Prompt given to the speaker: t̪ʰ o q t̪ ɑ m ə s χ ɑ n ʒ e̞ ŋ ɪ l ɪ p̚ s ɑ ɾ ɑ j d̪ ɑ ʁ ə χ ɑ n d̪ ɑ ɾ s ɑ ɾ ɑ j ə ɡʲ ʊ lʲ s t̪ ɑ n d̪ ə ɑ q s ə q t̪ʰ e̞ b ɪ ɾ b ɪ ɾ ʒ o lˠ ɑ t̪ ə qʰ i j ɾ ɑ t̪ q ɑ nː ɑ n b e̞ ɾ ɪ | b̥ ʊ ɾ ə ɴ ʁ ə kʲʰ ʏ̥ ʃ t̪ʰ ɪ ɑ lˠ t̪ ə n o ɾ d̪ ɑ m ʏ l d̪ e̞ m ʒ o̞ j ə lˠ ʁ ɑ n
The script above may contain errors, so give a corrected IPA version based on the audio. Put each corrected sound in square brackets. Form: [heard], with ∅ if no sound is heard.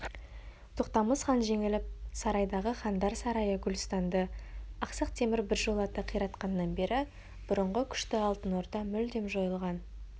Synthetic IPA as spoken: t̪ʰ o q t̪ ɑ m ə s χ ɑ n ʒ e̞ ŋ ɪ l ɪ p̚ s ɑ ɾ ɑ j d̪ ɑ ʁ ə χ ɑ n d̪ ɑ ɾ s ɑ ɾ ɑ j ə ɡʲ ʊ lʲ s t̪ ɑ n d̪ ə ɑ q s ə q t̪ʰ e̞ [m] ɪ ɾ b ɪ ɾ ʒ o lˠ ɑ t̪ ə qʰ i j ɾ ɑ t̪ q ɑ nː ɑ n b e̞ ɾ ɪ | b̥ ʊ ɾ ə ɴ ʁ ə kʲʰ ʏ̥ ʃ [t̪] ɪ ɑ lˠ t̪ ə n o ɾ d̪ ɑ m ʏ l d̪ e̞ m ʒ o̞ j ə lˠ ʁ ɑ n